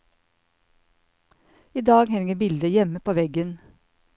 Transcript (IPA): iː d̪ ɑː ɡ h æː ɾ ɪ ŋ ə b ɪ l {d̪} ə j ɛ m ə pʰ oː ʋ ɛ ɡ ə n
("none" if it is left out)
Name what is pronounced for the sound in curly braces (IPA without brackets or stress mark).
d̪